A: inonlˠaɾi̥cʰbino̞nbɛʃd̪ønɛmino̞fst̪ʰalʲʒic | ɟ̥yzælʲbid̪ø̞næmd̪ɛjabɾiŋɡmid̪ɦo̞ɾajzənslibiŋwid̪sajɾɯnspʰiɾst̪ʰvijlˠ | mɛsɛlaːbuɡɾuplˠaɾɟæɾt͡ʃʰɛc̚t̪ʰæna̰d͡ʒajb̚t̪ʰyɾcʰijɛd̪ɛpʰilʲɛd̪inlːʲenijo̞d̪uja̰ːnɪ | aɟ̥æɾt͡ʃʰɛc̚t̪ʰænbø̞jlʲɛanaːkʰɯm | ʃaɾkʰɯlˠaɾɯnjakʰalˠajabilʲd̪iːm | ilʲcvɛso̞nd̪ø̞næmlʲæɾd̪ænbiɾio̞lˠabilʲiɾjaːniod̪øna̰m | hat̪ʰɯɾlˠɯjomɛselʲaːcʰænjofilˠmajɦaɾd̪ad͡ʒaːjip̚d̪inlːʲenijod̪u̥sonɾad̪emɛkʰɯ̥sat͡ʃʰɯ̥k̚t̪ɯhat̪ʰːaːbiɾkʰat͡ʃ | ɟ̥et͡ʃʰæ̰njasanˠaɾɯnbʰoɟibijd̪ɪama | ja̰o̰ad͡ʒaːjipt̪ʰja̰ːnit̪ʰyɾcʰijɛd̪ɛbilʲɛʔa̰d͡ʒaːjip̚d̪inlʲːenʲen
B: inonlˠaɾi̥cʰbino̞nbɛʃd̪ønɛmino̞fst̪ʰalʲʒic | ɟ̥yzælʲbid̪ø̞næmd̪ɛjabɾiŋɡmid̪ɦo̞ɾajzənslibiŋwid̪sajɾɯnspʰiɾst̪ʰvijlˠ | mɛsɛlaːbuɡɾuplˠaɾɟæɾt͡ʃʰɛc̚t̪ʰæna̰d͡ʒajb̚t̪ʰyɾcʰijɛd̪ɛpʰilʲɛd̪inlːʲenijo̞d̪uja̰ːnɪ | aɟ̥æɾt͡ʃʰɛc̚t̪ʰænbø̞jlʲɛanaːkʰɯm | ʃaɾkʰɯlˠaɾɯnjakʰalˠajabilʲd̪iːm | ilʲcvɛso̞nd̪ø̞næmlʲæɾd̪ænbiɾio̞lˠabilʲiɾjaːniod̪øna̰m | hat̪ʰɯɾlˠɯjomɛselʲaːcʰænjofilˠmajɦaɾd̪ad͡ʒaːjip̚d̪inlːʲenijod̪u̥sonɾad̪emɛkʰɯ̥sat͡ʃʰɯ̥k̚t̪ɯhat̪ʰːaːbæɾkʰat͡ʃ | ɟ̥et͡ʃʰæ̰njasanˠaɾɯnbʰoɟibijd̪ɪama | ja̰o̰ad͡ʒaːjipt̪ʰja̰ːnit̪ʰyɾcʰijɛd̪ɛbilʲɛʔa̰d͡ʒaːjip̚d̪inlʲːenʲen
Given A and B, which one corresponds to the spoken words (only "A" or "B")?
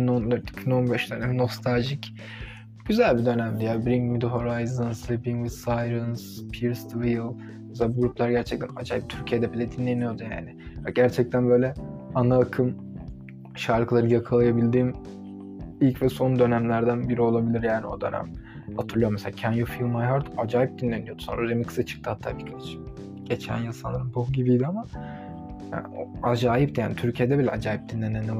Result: A